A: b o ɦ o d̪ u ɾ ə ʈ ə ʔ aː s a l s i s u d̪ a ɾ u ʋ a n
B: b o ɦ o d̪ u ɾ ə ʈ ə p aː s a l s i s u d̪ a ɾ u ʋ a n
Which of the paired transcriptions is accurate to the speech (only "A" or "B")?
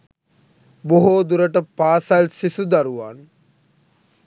B